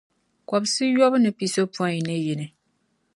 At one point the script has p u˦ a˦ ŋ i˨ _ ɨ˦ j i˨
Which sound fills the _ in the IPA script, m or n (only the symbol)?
n